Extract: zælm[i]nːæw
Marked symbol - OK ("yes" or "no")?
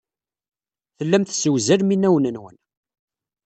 yes